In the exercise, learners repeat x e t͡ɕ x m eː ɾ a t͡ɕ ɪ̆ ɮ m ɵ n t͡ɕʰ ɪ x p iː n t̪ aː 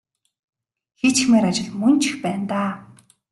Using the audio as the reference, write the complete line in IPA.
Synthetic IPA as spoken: x e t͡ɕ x m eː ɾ a t͡ɕ ɪ̆ ɮ m ɵ n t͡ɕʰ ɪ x p æː n t̪ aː